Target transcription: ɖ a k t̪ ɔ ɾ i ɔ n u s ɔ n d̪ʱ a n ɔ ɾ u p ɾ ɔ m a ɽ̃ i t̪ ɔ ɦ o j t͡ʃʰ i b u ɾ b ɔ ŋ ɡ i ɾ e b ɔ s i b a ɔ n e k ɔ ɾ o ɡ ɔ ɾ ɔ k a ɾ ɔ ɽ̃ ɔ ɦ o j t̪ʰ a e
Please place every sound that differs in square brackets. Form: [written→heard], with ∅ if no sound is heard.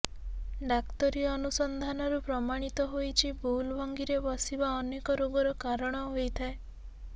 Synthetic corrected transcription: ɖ a k t̪ ɔ ɾ i ɔ n u s ɔ n d̪ʱ a n ɔ ɾ u p ɾ ɔ m a ɽ̃ i t̪ ɔ ɦ o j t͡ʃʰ i b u [ɾ→l] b ɔ ŋ ɡ i ɾ e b ɔ s i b a ɔ n e k ɔ ɾ o ɡ ɔ ɾ ɔ k a ɾ ɔ ɽ̃ ɔ ɦ o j t̪ʰ a e